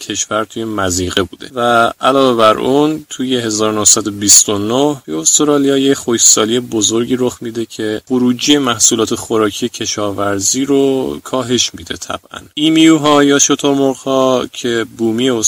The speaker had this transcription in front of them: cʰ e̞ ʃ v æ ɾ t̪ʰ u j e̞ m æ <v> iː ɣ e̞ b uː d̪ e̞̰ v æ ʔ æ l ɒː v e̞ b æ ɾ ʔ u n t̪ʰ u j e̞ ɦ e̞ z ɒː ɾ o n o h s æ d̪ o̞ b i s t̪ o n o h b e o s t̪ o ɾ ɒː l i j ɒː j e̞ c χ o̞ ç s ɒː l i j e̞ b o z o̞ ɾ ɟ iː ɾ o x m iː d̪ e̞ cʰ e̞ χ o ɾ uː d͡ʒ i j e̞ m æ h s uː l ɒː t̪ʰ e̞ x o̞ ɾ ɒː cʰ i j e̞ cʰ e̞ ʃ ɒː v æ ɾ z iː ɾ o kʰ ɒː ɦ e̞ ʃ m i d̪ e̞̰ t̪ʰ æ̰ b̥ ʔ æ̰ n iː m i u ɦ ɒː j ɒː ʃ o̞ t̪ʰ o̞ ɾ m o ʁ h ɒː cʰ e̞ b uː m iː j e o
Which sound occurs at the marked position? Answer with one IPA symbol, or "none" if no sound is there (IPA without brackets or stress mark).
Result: z